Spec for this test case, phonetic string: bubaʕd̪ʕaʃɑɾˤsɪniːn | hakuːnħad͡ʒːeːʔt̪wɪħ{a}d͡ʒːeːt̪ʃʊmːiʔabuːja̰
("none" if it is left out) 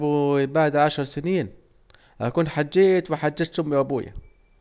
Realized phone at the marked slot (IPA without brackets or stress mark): a